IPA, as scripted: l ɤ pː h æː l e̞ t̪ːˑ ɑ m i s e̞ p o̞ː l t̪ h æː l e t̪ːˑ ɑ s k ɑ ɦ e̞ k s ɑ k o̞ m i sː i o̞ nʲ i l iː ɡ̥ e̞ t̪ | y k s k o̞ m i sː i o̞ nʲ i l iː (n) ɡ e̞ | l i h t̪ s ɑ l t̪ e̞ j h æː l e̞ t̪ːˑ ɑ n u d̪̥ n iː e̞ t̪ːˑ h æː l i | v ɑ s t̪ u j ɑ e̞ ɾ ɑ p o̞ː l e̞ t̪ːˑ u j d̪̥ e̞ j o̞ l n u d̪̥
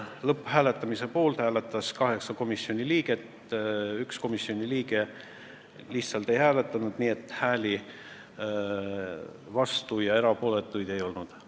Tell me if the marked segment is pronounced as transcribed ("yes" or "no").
no